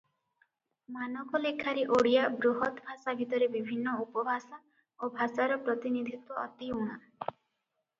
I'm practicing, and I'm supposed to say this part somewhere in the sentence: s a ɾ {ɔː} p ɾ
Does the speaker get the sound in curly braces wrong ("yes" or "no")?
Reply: yes